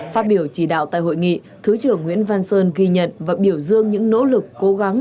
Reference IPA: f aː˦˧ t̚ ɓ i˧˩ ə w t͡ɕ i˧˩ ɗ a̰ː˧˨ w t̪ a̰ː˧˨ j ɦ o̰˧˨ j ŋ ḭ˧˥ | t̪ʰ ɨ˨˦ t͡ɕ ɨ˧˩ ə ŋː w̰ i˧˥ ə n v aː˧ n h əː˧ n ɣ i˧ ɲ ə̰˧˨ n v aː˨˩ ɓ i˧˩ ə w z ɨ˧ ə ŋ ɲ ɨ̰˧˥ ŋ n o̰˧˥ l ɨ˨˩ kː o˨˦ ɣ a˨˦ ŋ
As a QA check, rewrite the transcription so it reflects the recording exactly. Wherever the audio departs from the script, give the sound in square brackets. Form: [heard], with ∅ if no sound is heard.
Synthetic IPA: f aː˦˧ t̚ ɓ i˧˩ ə w t͡ɕ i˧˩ ɗ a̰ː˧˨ w t̪ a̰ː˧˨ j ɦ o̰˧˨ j ŋ [ḭ˧˨] | t̪ʰ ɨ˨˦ t͡ɕ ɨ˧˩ ə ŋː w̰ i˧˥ ə n v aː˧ n [s] əː˧ n ɣ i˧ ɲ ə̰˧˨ n v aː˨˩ ɓ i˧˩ ə w z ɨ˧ ə ŋ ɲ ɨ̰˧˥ ŋ n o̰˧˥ l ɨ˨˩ kː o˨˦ ɣ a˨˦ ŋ